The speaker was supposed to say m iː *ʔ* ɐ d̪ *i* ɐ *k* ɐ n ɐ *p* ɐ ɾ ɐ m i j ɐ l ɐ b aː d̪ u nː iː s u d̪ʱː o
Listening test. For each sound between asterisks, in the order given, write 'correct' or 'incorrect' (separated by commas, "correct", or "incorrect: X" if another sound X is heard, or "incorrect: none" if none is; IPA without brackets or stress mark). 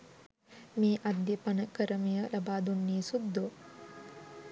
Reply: correct, incorrect: j, incorrect: p, incorrect: k